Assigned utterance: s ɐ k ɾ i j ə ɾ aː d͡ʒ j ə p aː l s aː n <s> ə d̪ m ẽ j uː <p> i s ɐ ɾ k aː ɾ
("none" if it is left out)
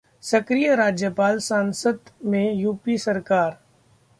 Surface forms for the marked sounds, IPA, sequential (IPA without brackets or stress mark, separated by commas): s, p